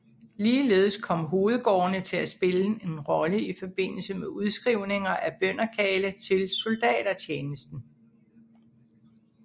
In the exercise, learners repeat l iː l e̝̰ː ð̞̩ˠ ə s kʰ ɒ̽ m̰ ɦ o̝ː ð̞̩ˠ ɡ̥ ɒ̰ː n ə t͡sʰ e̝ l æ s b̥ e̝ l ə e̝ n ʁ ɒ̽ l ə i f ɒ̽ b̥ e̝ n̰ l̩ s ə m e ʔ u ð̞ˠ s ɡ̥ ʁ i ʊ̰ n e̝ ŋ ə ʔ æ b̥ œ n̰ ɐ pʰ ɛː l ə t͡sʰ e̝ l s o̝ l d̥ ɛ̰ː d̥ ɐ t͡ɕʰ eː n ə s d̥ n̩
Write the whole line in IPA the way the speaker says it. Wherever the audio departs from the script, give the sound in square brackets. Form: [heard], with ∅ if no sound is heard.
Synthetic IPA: l iː l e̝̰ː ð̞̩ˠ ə s kʰ ɒ̽ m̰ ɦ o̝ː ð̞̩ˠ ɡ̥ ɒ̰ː n ə t͡sʰ e̝ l æ s b̥ e̝ l ə e̝ n ʁ ɒ̽ l ə i f ɒ̽ b̥ e̝ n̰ l̩ s ə m e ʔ u ð̞ˠ s ɡ̥ ʁ i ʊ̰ n e̝ ŋ [ɐ] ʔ æ b̥ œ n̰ ɐ [kʰ] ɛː l ə t͡sʰ e̝ l s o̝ l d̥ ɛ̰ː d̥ ɐ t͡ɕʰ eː n ə s d̥ n̩